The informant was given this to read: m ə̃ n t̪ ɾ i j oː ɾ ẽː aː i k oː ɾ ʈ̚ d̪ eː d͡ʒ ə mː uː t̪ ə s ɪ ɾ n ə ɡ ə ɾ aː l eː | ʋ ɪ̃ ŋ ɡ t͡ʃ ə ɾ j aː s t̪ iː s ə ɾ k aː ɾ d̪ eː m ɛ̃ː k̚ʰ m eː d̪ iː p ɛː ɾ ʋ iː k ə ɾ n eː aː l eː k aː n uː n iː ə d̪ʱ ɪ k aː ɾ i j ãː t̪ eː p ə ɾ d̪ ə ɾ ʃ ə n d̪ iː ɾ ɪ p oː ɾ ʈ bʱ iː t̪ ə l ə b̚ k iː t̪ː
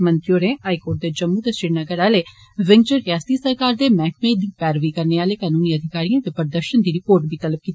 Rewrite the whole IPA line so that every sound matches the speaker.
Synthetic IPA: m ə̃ n t̪ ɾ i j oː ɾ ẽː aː i k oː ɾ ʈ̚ d̪ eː d͡ʒ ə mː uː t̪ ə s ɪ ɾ n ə ɡ ə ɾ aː l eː | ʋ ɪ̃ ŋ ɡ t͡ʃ ə ɾ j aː s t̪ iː s ə ɾ k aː ɾ d̪ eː m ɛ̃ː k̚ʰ m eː d̪ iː p ɛː ɾ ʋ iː k ə ɾ n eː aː l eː k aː n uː n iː ə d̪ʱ ɪ k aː ɾ i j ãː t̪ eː p ə ɾ d̪ ə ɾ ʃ ə n d̪ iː ɾ ɪ p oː ɾ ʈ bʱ iː t̪ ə l ə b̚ k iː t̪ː